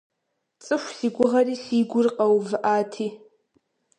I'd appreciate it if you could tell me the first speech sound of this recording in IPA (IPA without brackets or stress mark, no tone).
t͡sʼ